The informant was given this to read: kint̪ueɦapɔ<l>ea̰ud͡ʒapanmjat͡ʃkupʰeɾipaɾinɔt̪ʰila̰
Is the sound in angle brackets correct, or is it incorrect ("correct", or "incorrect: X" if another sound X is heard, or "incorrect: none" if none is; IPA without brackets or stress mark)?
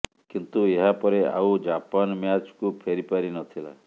incorrect: ɾ